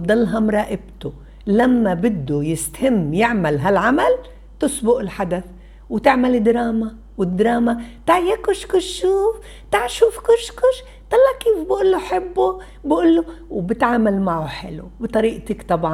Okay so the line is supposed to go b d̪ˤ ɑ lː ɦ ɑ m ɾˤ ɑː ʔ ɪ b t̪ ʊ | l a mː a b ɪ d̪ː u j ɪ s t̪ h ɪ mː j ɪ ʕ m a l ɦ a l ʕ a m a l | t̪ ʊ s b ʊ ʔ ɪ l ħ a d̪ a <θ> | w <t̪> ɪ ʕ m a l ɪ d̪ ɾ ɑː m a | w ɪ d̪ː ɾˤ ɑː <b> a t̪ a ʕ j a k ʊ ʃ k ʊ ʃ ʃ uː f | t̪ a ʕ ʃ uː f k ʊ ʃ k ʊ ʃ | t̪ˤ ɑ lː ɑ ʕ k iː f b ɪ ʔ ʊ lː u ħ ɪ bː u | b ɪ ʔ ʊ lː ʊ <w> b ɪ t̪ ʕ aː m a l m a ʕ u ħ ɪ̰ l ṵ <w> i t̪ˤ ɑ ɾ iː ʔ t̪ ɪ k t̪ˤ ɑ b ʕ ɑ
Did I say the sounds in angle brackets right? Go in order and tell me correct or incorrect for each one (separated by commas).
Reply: correct, correct, incorrect, correct, incorrect